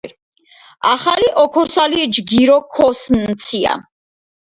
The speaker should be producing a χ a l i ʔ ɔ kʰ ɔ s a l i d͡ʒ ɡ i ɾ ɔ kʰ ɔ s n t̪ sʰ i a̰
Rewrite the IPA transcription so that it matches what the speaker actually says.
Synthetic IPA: a χ a l i ʔ ɔ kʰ ɔ s a l i d͡ʒ ɡ i ɾ ɔ kʰ ɔ s n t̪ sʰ i a̰